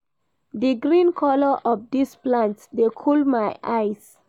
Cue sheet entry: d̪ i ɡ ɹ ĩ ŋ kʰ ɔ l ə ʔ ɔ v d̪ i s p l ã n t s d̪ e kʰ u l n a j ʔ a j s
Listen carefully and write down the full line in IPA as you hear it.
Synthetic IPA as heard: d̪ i ɡ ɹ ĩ n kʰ ɔ l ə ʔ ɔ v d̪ i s p l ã n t s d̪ e kʰ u l m a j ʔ a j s